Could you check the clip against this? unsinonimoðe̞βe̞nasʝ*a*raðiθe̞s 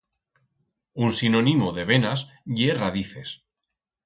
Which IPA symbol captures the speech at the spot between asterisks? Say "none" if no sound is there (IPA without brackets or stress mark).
e